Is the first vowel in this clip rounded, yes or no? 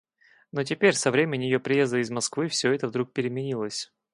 yes